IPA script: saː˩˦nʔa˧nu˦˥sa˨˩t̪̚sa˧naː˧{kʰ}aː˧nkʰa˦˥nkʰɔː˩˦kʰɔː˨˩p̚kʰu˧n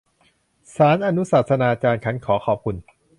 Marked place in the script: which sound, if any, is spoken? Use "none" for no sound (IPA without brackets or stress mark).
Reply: k